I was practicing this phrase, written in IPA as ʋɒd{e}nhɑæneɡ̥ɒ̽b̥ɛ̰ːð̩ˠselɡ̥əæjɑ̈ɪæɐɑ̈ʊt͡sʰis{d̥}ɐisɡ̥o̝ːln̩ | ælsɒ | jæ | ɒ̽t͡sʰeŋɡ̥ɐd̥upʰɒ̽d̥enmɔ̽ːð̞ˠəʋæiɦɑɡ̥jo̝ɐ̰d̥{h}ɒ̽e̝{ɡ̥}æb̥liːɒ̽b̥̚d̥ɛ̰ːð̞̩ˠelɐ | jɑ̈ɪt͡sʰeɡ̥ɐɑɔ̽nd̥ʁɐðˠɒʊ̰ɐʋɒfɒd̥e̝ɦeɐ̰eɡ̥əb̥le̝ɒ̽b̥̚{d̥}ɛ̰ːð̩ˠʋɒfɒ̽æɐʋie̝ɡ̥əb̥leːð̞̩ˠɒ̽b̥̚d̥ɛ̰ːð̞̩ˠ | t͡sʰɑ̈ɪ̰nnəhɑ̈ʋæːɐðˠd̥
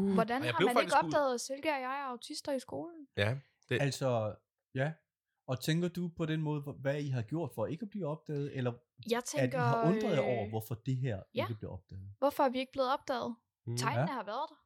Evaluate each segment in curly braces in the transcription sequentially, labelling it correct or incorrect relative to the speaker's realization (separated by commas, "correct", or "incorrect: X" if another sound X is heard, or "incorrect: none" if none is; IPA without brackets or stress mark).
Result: incorrect: æ, correct, incorrect: f, correct, correct